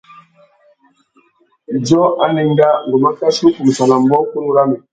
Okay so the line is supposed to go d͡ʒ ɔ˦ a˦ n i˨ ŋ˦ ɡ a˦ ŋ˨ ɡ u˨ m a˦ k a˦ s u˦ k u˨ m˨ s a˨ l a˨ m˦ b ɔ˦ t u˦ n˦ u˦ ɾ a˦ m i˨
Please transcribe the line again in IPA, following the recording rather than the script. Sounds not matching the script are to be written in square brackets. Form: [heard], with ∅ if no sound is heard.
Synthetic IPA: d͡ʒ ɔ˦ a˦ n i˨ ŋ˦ ɡ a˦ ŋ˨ ɡ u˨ m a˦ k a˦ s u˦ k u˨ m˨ s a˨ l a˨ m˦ b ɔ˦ [k] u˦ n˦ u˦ ɾ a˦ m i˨